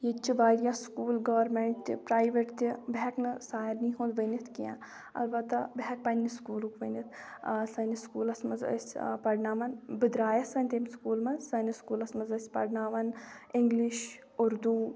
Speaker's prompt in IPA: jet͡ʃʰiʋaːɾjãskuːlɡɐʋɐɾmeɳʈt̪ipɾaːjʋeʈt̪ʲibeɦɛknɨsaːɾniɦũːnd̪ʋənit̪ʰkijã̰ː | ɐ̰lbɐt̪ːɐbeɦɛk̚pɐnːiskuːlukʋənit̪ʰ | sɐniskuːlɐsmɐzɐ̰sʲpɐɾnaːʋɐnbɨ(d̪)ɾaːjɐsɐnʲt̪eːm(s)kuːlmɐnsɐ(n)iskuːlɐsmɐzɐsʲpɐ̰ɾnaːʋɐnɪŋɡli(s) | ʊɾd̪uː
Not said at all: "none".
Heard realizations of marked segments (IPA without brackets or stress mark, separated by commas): d̪, s, n, ʃ